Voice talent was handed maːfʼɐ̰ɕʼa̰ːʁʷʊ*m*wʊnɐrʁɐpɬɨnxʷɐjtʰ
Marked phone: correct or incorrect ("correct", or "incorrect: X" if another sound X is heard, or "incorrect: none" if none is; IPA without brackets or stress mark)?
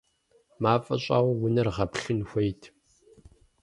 incorrect: none